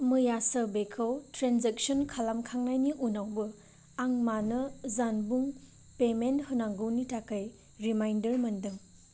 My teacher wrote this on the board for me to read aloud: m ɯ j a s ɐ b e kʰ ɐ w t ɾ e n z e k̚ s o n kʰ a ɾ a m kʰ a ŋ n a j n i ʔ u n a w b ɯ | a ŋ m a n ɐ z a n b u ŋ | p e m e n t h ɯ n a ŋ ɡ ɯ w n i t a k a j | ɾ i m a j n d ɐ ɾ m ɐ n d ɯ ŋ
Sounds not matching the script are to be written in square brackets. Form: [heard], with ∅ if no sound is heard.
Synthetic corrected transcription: m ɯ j a s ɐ b e kʰ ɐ w t ɾ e n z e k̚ s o n kʰ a [l] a m kʰ a ŋ n a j n i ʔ u n a w b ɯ | a ŋ m a n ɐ z a n b u ŋ | p e m e n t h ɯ n a ŋ ɡ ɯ w n i t a k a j | ɾ i m a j n d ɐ ɾ m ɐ n d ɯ ŋ